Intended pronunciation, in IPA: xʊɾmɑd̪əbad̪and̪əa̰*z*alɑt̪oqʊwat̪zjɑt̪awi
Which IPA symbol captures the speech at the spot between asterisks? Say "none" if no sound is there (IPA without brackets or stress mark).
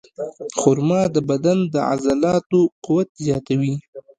z